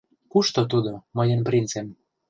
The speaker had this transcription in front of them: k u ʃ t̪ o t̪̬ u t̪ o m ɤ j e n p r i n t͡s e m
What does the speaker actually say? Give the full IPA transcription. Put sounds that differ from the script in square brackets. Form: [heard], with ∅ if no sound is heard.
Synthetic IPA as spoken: k u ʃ t̪ o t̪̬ u [d̪] o m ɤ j e n p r i n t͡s e m